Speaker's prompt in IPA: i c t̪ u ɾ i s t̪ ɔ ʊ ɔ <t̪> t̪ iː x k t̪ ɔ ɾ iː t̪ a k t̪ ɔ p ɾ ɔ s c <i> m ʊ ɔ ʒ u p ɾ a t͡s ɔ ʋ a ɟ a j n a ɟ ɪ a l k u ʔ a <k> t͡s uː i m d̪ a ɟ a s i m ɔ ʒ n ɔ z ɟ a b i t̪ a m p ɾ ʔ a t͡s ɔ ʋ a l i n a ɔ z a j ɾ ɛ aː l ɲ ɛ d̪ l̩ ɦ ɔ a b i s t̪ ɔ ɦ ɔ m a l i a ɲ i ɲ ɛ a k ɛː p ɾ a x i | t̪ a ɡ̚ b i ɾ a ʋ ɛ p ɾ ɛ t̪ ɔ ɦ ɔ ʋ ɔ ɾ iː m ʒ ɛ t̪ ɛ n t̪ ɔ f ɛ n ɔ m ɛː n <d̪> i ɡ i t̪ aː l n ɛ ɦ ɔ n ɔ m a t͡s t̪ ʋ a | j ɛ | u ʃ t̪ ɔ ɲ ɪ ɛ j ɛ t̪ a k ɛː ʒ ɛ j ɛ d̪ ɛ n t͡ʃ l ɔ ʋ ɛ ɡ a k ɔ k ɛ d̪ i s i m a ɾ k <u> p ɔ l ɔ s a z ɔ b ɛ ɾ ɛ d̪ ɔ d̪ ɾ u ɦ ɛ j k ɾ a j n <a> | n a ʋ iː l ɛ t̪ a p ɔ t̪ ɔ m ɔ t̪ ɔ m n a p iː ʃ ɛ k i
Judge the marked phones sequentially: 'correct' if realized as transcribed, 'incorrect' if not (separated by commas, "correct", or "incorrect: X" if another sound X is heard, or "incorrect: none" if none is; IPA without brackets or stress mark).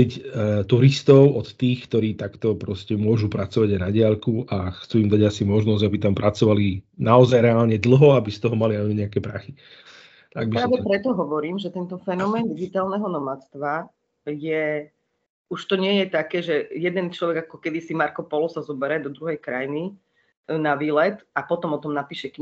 correct, incorrect: ɛ, incorrect: x, correct, incorrect: ɔ, incorrect: i